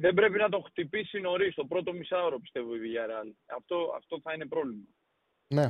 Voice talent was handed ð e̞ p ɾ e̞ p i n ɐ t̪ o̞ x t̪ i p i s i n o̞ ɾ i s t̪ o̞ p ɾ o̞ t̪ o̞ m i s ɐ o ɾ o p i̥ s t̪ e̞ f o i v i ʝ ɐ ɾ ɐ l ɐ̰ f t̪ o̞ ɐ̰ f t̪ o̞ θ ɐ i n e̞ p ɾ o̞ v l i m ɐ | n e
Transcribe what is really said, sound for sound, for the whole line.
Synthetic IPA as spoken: ð e̞ b ɾ e̞ p i n ɐ t̪ o̞ x t̪ i p i s i n o̞ ɾ i s t̪ o̞ p ɾ o̞ t̪ o̞ m i s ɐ o ɾ o p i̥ s t̪ e̞ v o i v i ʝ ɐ ɾ ɐ l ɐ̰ f t̪ o̞ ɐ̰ f t̪ o̞ θ ɐ i n e̞ p ɾ o̞ v l i m ɐ | n e